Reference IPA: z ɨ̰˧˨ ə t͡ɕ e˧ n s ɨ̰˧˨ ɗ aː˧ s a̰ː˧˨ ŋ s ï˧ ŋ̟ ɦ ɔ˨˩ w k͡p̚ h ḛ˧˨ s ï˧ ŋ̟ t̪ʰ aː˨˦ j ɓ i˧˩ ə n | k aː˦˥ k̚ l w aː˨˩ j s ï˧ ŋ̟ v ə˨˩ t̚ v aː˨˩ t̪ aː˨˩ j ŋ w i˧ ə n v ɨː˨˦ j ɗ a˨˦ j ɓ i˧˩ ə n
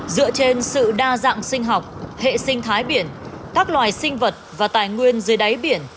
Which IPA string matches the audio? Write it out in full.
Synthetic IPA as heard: z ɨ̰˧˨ ə t͡ɕ e˧ n s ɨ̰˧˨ ɗ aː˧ z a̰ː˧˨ ŋ s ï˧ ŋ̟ ɦ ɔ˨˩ w k͡p̚ h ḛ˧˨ s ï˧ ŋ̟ t̪ʰ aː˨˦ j ɓ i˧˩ ə n | k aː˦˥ k̚ l w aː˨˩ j s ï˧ ŋ̟ v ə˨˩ t̚ v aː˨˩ t̪ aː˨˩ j ŋ w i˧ ə n z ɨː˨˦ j ɗ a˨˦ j ɓ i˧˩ ə n